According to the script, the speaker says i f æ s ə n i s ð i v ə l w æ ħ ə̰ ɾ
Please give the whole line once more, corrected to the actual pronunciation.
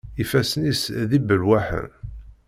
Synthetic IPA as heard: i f æ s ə n i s ð i b ə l w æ ħ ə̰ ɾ